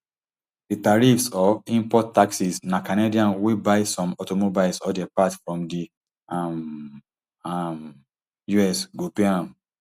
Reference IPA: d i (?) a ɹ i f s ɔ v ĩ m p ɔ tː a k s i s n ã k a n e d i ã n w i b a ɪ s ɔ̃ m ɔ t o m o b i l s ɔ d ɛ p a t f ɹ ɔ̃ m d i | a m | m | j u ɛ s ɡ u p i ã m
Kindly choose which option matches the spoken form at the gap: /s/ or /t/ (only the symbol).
t